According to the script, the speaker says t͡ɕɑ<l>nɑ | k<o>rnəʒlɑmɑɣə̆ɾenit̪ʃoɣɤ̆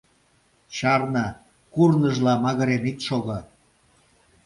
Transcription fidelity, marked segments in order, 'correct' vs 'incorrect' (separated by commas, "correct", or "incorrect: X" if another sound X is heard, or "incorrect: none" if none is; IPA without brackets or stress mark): incorrect: r, incorrect: u